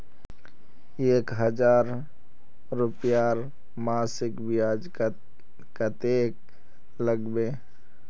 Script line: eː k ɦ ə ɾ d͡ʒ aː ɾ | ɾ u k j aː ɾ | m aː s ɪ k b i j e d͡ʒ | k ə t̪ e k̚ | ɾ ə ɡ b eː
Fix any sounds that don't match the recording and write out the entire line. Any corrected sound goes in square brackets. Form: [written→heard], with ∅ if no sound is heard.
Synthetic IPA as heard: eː k ɦ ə [ɾ→∅] d͡ʒ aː ɾ | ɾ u [k→p] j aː ɾ | m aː s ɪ k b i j [e→a] d͡ʒ | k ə t̪ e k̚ | [ɾ→l] ə ɡ b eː